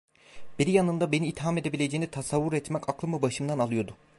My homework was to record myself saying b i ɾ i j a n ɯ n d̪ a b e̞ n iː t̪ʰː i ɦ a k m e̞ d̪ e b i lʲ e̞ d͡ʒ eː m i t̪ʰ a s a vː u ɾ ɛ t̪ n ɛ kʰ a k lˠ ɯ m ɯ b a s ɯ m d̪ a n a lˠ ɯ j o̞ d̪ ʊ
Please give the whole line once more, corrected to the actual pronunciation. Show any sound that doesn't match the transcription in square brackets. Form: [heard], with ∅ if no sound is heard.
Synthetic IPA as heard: b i ɾ i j a n ɯ n d̪ a b e̞ n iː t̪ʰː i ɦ a [∅] m e̞ d̪ e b i lʲ e̞ d͡ʒ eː [n] i t̪ʰ a s a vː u ɾ ɛ t̪ [m] ɛ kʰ a k lˠ ɯ m ɯ b a [ʃ] ɯ m d̪ a n a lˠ ɯ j o̞ d̪ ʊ